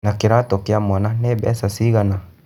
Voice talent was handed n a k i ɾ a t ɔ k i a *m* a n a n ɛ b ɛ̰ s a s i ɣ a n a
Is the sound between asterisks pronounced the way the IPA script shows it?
yes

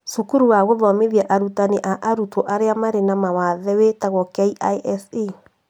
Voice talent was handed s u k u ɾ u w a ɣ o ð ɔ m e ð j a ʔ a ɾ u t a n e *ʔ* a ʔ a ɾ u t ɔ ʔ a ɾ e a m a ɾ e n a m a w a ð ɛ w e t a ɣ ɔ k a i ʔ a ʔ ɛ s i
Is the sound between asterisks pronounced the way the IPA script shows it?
yes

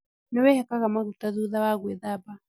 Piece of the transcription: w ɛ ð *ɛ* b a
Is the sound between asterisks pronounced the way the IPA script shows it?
no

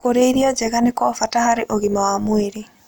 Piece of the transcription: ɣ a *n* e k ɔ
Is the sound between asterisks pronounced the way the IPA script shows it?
yes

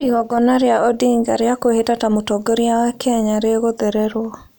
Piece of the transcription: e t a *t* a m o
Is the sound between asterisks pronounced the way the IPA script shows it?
yes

